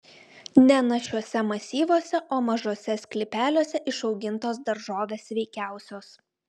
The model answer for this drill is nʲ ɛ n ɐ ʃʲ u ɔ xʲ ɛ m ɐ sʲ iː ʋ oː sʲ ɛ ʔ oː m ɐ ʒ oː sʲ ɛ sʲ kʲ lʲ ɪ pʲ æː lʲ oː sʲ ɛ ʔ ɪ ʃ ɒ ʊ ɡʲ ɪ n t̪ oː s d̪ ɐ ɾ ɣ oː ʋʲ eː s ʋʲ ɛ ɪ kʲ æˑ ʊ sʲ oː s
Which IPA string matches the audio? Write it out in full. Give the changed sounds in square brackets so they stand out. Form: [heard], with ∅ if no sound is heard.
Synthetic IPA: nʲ ɛ n ɐ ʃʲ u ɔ [sʲ] ɛ m ɐ sʲ iː ʋ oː sʲ ɛ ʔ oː m ɐ ʒ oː sʲ ɛ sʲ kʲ lʲ ɪ pʲ æː lʲ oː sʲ ɛ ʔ ɪ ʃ ɒ ʊ ɡʲ ɪ n t̪ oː s d̪ ɐ ɾ [ʒ] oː ʋʲ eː s ʋʲ ɛ ɪ kʲ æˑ ʊ sʲ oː s

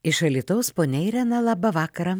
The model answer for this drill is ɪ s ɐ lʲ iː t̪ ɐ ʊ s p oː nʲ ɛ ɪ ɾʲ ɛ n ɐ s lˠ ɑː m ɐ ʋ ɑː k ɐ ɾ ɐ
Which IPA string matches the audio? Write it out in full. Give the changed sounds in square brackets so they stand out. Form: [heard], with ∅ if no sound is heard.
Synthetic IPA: ɪ [ʃ] ɐ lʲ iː t̪ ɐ ʊ s p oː nʲ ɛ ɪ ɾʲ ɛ n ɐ [∅] lˠ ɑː [b] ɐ ʋ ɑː k ɐ ɾ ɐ

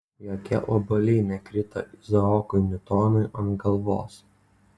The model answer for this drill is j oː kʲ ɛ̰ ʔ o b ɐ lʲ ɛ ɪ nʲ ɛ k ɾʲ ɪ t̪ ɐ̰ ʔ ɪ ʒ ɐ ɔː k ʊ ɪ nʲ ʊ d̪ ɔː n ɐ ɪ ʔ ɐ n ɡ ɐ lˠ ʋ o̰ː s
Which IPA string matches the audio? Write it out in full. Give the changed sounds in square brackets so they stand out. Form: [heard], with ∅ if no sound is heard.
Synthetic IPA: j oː kʲ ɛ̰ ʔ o b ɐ lʲ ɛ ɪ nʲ ɛ k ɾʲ ɪ t̪ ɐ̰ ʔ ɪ [z] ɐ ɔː k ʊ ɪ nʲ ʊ [t̪] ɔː n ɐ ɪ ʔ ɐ n ɡ ɐ lˠ ʋ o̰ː s

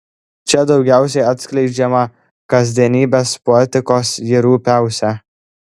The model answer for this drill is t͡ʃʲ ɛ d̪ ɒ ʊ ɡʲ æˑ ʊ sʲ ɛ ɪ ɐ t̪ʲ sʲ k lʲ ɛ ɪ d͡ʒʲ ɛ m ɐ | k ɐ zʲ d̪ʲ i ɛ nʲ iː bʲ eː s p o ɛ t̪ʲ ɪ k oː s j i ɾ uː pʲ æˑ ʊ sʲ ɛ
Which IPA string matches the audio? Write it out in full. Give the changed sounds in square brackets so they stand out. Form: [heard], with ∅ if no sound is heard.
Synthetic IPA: t͡ʃʲ ɛ d̪ ɒ ʊ ɡʲ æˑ ʊ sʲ ɛ ɪ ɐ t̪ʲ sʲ k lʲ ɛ ɪ d͡ʒʲ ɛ m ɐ | k ɐ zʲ d̪ʲ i ɛ nʲ iː bʲ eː s p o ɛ t̪ʲ ɪ k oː s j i ɾ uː pʲ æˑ ʊ sʲ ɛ

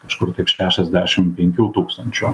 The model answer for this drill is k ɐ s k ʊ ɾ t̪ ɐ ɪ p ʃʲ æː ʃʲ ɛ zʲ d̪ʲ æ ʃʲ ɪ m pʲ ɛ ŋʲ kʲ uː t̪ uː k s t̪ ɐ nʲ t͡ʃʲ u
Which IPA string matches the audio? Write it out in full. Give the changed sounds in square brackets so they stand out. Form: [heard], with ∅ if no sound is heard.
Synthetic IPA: k ɐ [ʃ] k ʊ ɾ t̪ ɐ ɪ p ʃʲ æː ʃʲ ɛ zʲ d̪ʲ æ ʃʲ ɪ m pʲ ɛ ŋʲ kʲ uː t̪ uː k s t̪ ɐ nʲ t͡ʃʲ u

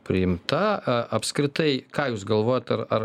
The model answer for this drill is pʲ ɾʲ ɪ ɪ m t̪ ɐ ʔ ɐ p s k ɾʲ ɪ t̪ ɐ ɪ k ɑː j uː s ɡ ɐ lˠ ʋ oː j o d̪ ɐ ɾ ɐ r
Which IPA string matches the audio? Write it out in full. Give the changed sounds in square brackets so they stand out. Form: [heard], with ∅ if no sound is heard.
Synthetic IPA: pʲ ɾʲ ɪ ɪ m t̪ ɐ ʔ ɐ p s k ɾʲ ɪ t̪ ɐ ɪ k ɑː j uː s ɡ ɐ lˠ ʋ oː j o [t̪] ɐ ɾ ɐ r

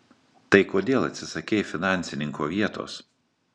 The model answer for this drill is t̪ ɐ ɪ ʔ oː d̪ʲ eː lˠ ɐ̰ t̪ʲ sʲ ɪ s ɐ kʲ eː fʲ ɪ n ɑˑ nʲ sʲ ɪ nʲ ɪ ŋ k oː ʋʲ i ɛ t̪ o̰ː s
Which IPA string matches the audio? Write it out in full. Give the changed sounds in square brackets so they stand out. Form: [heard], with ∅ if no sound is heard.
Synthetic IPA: t̪ ɐ ɪ [k] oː d̪ʲ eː lˠ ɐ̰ t̪ʲ sʲ ɪ s ɐ kʲ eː fʲ ɪ n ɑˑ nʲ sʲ ɪ nʲ ɪ ŋ k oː ʋʲ i ɛ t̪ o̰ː s

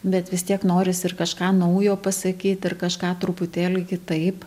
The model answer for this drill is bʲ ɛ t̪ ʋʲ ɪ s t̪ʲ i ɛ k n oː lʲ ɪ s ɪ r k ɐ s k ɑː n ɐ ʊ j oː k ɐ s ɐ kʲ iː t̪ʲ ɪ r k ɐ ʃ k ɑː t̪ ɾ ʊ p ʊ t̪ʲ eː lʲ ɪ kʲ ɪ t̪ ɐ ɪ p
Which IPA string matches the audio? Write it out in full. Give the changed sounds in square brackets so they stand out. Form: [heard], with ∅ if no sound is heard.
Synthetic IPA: bʲ ɛ t̪ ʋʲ ɪ s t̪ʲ i ɛ k n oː [ɾʲ] ɪ s ɪ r k ɐ [ʃ] k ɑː n ɐ ʊ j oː [p] ɐ s ɐ kʲ iː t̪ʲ ɪ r k ɐ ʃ k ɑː t̪ ɾ ʊ p ʊ t̪ʲ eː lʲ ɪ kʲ ɪ t̪ ɐ ɪ p

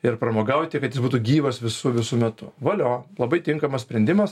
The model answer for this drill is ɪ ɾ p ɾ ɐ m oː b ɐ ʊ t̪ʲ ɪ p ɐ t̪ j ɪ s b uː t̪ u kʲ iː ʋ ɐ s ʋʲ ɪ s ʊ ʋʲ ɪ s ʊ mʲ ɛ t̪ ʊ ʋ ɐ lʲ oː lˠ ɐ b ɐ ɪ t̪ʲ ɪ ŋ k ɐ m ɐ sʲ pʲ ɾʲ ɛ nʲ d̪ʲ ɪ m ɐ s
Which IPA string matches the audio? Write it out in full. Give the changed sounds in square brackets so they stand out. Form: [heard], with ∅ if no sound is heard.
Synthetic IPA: ɪ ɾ p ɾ ɐ m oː [ɡ] ɐ ʊ t̪ʲ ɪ [k] ɐ t̪ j ɪ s b uː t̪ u [ɡʲ] iː ʋ ɐ s ʋʲ ɪ s ʊ ʋʲ ɪ s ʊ mʲ ɛ t̪ ʊ ʋ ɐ lʲ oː lˠ ɐ b ɐ ɪ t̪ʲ ɪ ŋ k ɐ m ɐ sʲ pʲ ɾʲ ɛ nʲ d̪ʲ ɪ m ɐ s

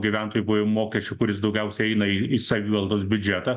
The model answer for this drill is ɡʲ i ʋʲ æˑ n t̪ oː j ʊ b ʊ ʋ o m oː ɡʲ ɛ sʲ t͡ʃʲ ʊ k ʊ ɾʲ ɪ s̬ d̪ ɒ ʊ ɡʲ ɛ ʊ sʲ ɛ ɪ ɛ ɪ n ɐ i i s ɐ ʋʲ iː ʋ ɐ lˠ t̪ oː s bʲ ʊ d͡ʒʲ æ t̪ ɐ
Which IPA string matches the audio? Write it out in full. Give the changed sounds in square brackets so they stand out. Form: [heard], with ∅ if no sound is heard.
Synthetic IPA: ɡʲ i ʋʲ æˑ n t̪ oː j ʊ b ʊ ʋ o m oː [kʲ] ɛ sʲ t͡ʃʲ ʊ k ʊ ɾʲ ɪ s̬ d̪ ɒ ʊ ɡʲ ɛ ʊ sʲ ɛ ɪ ɛ ɪ n ɐ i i s ɐ ʋʲ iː ʋ ɐ lˠ [d̪] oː s bʲ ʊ d͡ʒʲ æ t̪ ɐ

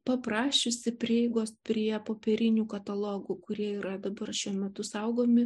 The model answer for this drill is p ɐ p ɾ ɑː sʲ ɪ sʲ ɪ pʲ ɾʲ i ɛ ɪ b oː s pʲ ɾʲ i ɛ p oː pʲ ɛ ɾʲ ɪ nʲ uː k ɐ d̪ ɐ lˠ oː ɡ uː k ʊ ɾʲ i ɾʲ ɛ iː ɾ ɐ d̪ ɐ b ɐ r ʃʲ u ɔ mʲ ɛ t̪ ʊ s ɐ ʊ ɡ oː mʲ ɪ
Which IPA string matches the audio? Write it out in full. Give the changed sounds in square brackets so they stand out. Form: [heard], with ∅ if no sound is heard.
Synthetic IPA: p ɐ p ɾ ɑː [ʃʲ] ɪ sʲ ɪ pʲ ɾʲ i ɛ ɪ [ɡ] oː s pʲ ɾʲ i ɛ p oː pʲ ɛ ɾʲ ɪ nʲ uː k ɐ [t̪] ɐ lˠ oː ɡ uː k ʊ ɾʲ i [∅] ɛ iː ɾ ɐ d̪ ɐ b ɐ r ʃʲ u ɔ mʲ ɛ t̪ ʊ s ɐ ʊ ɡ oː mʲ ɪ

